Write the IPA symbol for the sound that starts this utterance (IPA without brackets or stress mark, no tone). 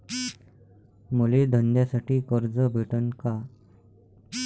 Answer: m